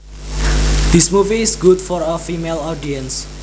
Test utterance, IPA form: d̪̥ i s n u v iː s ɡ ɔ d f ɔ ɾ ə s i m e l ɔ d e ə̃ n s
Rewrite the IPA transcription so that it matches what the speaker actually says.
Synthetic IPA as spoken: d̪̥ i s m u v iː s ɡ u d f ɔ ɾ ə f i m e l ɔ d i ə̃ n s